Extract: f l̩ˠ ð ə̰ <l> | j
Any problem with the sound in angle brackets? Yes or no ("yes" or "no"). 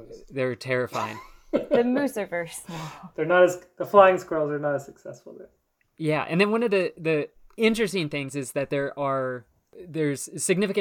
yes